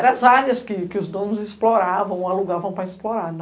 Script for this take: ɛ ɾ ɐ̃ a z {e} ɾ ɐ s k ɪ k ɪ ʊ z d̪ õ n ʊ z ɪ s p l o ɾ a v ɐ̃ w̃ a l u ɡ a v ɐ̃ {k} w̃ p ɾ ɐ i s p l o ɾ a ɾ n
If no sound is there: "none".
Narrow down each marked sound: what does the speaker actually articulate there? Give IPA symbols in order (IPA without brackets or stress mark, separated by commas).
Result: a, none